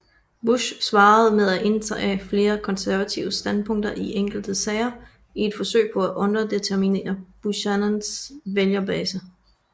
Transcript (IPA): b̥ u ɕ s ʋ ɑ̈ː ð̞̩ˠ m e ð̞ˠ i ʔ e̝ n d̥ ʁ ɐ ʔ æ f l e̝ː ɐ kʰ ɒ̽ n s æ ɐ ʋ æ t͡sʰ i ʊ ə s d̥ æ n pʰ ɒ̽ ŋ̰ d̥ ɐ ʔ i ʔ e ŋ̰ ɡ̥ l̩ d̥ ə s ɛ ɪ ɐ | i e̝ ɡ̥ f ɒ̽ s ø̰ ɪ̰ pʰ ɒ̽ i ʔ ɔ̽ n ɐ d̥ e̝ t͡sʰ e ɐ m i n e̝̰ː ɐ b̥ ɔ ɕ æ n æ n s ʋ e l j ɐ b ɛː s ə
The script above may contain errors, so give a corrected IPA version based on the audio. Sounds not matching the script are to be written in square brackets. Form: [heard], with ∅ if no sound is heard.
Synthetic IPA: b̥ u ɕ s ʋ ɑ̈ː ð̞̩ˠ m e ð̞ˠ [æ] ʔ e̝ n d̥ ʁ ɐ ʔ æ f l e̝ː ɐ kʰ ɒ̽ n s æ ɐ ʋ æ t͡sʰ i ʊ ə s d̥ æ n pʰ [ɔ̽] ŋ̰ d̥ ɐ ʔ i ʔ e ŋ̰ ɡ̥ l̩ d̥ ə s ɛ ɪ ɐ | i e̝ [d̥] f ɒ̽ s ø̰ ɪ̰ pʰ ɒ̽ [æ] ʔ ɔ̽ n ɐ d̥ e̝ t͡sʰ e ɐ m i n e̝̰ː ɐ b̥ [u] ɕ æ n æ n s ʋ e l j ɐ b ɛː s ə